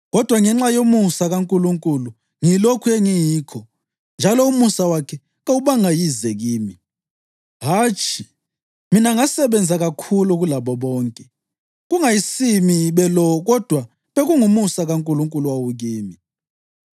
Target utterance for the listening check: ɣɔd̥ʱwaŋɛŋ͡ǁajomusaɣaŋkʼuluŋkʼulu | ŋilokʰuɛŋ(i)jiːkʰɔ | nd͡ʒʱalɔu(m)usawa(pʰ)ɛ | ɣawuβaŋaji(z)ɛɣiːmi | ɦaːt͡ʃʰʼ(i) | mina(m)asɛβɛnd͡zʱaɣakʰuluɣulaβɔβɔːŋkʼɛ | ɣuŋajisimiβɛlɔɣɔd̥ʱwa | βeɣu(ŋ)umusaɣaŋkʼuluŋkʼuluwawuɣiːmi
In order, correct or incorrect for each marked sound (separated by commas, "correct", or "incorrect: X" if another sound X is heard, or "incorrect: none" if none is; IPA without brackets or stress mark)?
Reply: correct, correct, incorrect: kʰ, correct, correct, incorrect: ŋ, correct